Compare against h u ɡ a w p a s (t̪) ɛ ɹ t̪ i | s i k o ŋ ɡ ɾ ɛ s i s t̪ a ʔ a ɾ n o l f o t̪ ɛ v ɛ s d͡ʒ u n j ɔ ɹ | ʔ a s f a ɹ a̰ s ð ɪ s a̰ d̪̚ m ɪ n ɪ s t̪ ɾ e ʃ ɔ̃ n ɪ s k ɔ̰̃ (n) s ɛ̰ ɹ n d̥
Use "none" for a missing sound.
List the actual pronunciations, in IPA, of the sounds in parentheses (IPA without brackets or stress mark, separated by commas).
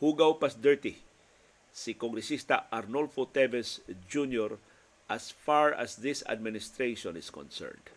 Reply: d̪, n